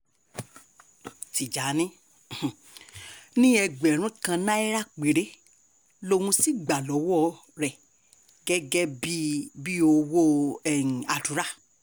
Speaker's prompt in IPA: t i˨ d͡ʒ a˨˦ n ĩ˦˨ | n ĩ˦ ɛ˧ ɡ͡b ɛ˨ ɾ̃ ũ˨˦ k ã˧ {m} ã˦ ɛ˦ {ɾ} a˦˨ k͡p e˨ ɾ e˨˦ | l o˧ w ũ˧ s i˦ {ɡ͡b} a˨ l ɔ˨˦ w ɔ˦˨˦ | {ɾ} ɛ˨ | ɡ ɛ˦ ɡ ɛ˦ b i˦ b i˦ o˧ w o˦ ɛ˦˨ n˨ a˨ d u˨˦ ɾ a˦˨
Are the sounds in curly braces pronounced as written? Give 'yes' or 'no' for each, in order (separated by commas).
no, yes, yes, yes